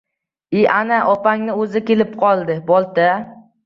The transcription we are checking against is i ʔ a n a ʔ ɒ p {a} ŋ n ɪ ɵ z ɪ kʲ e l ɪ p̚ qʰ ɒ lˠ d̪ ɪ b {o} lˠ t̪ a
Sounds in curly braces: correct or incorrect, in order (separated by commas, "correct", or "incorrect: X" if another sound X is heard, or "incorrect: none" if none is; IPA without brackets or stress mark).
correct, incorrect: ɒ